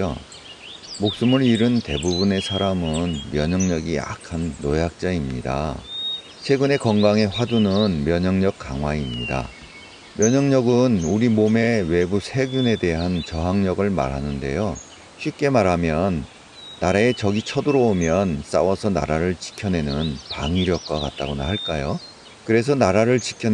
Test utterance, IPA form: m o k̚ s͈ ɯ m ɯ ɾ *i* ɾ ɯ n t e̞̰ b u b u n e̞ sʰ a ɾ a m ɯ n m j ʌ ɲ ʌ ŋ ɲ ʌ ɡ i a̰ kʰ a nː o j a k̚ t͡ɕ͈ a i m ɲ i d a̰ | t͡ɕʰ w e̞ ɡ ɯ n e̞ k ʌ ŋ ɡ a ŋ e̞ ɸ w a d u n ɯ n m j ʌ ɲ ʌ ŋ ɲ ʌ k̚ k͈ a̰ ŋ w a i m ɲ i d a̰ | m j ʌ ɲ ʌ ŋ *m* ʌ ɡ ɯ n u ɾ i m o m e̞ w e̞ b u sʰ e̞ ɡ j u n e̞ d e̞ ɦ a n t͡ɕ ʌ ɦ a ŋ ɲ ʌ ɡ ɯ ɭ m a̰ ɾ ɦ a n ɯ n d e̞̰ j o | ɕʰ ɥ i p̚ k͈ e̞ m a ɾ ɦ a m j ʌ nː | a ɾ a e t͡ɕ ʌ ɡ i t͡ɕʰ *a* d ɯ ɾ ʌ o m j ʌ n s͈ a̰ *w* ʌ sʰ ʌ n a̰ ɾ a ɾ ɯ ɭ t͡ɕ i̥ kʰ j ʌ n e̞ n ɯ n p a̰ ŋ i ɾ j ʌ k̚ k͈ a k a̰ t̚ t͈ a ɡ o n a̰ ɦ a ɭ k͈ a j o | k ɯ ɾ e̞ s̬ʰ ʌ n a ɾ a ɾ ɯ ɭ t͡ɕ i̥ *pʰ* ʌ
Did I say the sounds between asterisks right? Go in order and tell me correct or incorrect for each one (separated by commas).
correct, incorrect, incorrect, correct, incorrect